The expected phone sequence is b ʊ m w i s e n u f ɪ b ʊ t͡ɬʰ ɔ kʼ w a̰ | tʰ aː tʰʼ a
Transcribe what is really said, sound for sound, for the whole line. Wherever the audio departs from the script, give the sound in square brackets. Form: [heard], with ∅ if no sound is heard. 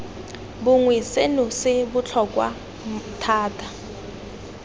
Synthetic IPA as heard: b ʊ [ŋ] w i s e n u [s] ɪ b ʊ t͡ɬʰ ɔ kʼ w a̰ | tʰ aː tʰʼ a